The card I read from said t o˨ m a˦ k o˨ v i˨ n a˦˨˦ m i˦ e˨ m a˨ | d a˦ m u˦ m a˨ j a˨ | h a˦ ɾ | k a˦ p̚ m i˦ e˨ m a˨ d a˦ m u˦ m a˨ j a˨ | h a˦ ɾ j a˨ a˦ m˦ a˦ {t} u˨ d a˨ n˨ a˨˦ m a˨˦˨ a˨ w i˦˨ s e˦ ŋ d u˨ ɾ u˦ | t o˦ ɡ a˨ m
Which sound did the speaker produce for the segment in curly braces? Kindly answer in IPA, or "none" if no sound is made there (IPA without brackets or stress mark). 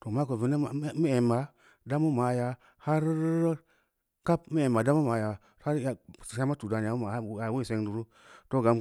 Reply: t